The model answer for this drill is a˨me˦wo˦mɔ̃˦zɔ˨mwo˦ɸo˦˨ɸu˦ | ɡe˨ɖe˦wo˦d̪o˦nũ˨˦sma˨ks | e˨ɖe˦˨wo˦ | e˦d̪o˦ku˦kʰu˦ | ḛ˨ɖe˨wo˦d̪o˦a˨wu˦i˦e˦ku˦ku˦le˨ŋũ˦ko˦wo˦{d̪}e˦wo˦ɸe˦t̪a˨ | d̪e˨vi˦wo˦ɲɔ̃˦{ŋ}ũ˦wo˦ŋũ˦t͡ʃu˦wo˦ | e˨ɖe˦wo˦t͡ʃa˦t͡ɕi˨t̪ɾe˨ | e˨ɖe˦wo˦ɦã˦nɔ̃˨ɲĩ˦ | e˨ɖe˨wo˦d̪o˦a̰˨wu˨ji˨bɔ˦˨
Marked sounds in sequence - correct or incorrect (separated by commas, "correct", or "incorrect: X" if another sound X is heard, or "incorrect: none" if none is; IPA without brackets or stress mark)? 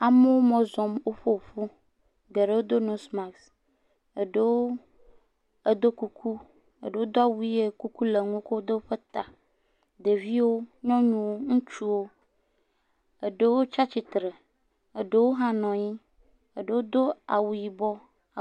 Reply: correct, incorrect: ɲ